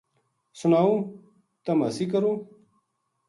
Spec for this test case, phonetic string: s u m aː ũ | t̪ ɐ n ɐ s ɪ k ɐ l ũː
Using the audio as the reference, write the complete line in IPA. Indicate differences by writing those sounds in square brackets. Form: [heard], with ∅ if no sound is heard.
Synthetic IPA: s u [n] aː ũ | t̪ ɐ [m] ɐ s [i] k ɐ [ɾ] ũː